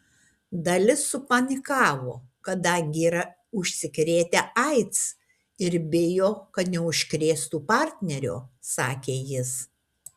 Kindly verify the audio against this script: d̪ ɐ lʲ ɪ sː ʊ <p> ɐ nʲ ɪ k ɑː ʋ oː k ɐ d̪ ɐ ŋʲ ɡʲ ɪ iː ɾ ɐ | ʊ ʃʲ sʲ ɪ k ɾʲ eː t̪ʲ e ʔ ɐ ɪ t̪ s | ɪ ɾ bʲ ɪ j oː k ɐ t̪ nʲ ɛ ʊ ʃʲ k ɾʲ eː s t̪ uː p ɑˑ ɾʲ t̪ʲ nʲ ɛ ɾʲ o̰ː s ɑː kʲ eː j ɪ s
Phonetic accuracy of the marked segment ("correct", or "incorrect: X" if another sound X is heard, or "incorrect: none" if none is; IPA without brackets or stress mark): correct